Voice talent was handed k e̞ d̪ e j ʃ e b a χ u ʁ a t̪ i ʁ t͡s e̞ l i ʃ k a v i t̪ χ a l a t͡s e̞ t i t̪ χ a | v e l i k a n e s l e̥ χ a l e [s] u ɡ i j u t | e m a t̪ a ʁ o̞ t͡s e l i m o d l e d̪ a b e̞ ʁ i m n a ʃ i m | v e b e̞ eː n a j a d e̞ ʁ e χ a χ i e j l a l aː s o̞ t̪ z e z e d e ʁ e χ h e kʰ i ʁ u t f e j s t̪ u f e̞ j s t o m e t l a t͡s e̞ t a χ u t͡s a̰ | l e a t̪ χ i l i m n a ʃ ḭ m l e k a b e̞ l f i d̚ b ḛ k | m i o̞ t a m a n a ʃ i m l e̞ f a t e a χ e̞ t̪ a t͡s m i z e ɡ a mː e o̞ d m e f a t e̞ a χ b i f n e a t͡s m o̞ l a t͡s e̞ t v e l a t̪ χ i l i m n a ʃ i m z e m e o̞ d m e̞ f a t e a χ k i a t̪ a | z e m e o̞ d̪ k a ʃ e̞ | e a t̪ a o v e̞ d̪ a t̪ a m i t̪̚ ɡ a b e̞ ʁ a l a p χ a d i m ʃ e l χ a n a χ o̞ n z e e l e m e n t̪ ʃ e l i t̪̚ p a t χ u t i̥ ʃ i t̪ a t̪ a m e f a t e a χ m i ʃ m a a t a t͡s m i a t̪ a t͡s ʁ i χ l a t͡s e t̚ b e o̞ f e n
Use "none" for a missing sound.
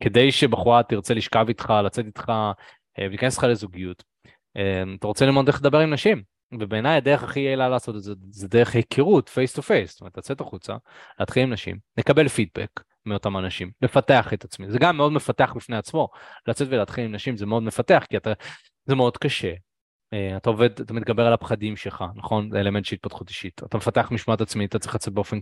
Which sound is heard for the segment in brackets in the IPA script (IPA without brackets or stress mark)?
z